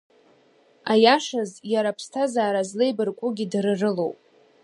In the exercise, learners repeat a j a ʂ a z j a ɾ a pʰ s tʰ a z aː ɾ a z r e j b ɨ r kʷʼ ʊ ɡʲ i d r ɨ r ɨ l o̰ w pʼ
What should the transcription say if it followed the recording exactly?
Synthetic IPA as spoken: a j a ʂ a z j a ɾ a pʰ s tʰ a z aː ɾ a z l e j b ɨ r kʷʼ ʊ ɡʲ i d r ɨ r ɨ l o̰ w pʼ